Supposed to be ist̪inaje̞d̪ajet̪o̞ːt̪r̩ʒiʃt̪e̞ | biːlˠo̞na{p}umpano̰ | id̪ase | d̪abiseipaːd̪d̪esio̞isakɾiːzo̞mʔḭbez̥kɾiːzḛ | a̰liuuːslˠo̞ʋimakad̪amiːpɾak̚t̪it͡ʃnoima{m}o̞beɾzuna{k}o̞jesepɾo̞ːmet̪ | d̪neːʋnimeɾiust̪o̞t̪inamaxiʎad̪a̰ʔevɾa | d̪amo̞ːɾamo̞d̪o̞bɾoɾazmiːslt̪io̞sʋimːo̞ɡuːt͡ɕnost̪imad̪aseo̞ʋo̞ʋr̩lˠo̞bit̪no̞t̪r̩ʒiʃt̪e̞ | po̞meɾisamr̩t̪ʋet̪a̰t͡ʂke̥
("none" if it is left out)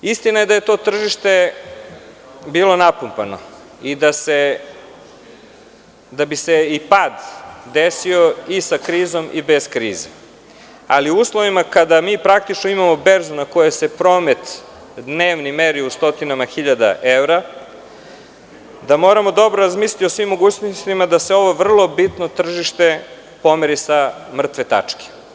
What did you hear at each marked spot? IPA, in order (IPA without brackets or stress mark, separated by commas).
p, m, k